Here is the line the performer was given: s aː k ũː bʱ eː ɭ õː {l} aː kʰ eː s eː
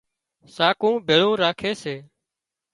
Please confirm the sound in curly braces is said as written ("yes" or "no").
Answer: no